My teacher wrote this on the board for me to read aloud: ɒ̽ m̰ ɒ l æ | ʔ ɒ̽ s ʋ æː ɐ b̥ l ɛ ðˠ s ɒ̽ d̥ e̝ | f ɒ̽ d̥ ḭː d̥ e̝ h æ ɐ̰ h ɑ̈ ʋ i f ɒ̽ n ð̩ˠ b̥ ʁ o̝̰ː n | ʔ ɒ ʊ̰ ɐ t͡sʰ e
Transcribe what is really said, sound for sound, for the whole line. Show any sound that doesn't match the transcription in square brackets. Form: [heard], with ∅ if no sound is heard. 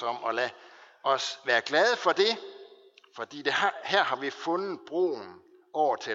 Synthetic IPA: ɒ̽ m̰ ɒ l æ | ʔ ɒ̽ s ʋ æː ɐ [ɡ̥] l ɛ ðˠ [f] ɒ̽ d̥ e̝ | f ɒ̽ d̥ ḭː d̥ e̝ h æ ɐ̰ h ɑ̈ ʋ i f [ɔ̽] n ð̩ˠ b̥ ʁ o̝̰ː n | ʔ ɒ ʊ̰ ɐ t͡sʰ e